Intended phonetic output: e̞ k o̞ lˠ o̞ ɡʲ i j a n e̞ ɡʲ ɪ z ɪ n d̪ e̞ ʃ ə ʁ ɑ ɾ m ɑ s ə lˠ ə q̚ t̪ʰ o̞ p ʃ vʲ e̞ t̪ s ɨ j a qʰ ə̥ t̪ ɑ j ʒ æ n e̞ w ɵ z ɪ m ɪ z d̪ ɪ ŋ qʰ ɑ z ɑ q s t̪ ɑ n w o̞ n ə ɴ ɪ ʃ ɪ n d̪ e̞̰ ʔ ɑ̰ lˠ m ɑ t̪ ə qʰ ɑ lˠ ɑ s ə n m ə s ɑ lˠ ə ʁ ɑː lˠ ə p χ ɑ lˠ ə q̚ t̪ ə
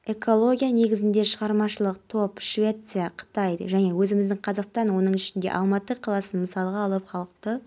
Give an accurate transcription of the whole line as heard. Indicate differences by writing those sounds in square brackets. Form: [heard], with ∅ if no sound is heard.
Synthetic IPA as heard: e̞ k o̞ lˠ o̞ ɡʲ i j a n e̞ ɡʲ ɪ z ɪ n d̪ e̞ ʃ ə ʁ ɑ ɾ m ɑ [ʃ] ə lˠ ə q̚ t̪ʰ o̞ p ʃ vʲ e̞ t̪ s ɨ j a qʰ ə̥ t̪ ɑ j ʒ æ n e̞ w ɵ z ɪ m ɪ z d̪ ɪ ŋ qʰ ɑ z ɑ q s t̪ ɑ n w o̞ n ə ɴ ɪ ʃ ɪ n d̪ e̞̰ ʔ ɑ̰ lˠ m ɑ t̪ ə qʰ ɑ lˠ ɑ s ə n m ə s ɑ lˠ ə ʁ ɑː lˠ ə p χ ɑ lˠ ə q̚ t̪ ə